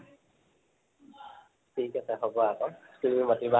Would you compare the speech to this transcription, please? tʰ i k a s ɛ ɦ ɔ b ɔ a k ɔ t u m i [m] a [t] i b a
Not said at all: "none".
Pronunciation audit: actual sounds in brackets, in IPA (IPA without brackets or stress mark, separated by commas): m, t